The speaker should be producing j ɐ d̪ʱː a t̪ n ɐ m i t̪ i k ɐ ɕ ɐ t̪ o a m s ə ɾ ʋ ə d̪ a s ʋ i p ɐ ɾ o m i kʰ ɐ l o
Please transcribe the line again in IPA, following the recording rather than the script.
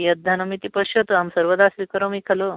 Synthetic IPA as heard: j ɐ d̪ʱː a n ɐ m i t̪ i p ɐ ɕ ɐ t̪ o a m s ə ɾ ʋ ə d̪ a s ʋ i k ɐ ɾ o m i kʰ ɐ l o